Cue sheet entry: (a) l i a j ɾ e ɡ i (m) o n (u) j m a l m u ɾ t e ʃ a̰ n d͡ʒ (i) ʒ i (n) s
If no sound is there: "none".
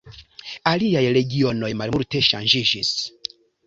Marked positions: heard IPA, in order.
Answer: a, none, o, i, none

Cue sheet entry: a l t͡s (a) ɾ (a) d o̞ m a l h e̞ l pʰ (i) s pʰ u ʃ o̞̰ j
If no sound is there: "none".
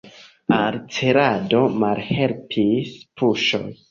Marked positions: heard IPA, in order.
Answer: e, a, i

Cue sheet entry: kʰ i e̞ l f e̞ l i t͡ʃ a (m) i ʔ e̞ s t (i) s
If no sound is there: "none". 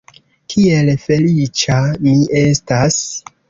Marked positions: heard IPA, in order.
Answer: m, a

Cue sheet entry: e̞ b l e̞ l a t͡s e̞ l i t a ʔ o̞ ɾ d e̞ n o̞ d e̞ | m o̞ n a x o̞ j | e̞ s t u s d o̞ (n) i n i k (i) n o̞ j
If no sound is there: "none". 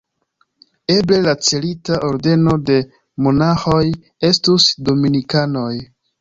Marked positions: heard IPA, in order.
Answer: m, a

